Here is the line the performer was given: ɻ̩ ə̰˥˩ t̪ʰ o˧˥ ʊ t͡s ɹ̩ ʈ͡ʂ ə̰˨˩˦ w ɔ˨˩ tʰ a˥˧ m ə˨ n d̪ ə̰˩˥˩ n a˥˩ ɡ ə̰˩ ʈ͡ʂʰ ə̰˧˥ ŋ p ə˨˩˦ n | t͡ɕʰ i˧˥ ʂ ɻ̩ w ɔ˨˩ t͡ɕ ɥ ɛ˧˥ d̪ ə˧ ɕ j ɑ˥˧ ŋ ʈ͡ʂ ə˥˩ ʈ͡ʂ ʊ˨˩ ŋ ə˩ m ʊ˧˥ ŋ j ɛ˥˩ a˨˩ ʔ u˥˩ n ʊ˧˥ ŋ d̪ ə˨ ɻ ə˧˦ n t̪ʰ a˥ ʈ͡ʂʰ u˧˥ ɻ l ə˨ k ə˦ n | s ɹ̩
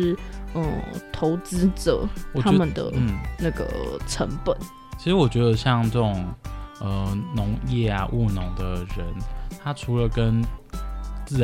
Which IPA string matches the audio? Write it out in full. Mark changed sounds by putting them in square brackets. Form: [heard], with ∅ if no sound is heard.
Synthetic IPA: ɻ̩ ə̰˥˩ t̪ʰ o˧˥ ʊ t͡s ɹ̩ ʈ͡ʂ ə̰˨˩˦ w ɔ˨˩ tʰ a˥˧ m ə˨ n d̪ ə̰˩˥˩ n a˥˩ ɡ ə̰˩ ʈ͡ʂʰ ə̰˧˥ ŋ p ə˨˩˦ n | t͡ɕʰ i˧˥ ʂ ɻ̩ w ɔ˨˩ t͡ɕ ɥ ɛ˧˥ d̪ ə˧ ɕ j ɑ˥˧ ŋ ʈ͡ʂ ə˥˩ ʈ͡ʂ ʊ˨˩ ŋ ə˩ [n] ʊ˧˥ ŋ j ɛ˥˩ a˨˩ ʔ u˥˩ n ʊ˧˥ ŋ d̪ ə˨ ɻ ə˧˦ n t̪ʰ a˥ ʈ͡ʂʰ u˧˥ [∅] l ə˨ k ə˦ n | [t͡s] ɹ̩